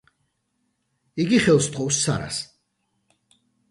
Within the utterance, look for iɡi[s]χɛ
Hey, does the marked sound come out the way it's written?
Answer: no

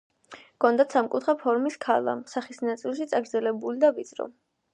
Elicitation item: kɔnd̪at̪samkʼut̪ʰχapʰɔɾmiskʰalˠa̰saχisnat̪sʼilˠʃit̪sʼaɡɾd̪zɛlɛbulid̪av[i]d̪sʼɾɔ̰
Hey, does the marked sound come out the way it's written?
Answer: yes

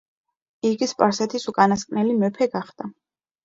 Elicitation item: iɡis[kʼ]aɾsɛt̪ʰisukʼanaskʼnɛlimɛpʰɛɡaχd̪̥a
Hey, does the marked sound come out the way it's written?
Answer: no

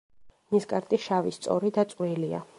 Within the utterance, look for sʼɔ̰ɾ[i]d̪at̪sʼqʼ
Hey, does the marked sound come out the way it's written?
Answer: yes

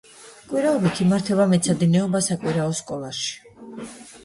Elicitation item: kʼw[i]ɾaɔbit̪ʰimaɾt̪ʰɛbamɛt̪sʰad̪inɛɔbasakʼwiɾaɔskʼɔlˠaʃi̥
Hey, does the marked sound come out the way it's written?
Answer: yes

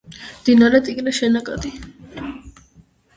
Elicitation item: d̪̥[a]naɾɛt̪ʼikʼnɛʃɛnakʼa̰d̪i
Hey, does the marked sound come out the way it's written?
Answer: no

